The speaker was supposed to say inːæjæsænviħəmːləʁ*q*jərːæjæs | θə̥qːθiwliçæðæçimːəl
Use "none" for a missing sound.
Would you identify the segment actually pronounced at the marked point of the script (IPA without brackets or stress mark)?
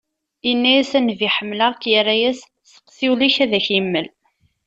k